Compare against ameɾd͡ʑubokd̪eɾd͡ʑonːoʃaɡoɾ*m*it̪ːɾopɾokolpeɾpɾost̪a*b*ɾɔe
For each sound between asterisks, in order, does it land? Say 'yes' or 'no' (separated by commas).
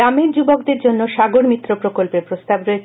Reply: yes, yes